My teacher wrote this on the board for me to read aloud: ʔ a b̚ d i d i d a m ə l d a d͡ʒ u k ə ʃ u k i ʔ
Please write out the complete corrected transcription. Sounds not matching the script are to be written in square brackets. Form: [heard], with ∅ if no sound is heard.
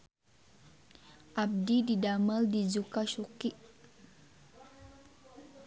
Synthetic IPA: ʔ a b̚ d i d i d a m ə l d [i] d͡ʒ u k [a] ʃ u k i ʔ